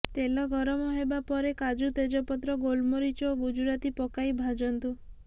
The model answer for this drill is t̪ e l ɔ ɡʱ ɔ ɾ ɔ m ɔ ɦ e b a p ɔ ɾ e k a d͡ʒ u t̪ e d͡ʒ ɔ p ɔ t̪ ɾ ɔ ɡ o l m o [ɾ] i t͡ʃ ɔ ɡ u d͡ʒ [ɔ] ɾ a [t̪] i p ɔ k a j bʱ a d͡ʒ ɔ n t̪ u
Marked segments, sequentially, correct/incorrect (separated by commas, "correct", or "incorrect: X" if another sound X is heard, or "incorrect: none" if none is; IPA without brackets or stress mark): correct, incorrect: u, correct